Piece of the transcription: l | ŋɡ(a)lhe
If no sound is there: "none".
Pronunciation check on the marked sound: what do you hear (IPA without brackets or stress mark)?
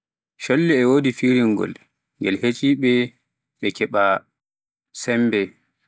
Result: ɛ